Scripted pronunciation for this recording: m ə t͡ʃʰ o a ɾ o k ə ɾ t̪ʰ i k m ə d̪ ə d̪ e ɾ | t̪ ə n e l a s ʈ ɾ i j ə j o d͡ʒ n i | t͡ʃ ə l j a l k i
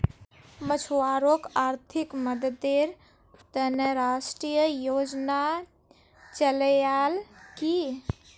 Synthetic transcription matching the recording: m ə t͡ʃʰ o a ɾ o k a ɾ t̪ʰ i k m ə d̪ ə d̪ e ɾ | t̪ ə n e ɾ a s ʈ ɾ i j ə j o d͡ʒ n a | t͡ʃ ə l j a l k i